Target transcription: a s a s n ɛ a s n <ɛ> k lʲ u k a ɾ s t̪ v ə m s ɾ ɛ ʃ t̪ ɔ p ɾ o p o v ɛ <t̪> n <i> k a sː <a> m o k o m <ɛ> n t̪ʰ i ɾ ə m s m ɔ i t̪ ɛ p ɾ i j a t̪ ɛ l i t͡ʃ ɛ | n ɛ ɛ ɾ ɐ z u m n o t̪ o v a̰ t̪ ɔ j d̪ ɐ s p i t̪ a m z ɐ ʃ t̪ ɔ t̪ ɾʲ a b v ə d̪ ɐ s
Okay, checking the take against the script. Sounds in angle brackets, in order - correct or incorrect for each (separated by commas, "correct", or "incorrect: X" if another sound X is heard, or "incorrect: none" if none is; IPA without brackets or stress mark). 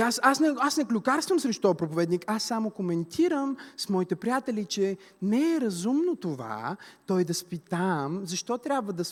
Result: correct, incorrect: d̪, correct, correct, correct